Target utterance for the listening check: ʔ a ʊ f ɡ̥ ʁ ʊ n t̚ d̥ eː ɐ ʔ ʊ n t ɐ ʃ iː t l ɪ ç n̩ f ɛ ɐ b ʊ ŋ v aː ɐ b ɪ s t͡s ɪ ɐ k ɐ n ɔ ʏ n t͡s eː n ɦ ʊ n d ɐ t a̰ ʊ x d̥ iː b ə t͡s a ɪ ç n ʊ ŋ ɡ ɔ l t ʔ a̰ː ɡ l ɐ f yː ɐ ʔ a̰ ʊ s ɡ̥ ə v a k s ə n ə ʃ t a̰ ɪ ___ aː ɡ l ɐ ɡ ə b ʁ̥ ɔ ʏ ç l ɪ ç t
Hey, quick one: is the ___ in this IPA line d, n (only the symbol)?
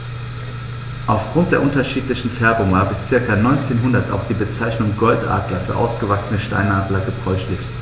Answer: n